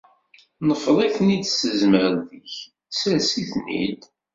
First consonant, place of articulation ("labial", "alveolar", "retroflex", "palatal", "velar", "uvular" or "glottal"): alveolar